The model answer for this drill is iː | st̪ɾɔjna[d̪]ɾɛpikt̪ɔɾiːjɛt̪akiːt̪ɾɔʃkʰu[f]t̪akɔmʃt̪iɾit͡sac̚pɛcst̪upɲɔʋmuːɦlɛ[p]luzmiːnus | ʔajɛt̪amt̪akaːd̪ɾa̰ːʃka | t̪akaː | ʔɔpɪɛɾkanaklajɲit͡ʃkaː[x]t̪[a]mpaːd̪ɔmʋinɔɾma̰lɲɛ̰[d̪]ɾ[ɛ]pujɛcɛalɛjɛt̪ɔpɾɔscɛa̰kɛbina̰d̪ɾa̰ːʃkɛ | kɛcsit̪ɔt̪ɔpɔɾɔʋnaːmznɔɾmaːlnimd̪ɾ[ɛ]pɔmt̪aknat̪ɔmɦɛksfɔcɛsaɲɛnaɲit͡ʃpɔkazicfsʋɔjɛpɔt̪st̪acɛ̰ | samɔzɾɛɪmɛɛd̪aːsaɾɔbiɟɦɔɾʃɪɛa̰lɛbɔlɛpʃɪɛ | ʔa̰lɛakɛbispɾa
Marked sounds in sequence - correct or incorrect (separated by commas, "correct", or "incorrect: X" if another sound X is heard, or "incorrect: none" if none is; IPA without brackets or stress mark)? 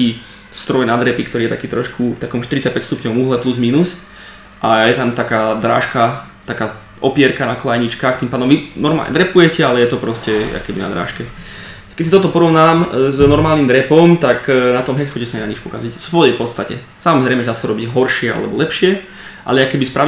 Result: correct, correct, correct, correct, incorrect: i, correct, correct, correct